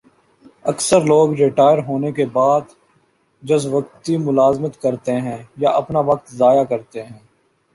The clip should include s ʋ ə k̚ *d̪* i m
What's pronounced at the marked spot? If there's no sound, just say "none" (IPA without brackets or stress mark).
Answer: t̪